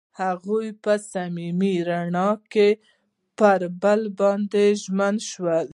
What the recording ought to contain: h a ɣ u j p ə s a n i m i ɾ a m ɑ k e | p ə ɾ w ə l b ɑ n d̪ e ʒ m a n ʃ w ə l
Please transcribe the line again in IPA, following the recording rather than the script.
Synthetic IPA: h a ɣ u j p ə s a m i m i ɾ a ɳ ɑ k e | p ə ɾ b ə l b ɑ n d̪ e ʒ m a n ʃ w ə l